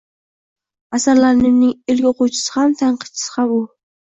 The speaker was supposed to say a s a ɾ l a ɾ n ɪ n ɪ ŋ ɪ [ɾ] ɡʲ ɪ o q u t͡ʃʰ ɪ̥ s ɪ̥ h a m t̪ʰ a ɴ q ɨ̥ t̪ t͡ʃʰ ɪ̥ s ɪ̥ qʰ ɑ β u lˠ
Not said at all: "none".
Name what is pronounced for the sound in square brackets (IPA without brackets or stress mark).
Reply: l